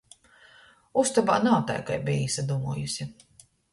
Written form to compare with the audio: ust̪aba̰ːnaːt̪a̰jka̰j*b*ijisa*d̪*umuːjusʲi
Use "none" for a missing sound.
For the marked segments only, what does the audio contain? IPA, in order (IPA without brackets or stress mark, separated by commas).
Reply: b, d̪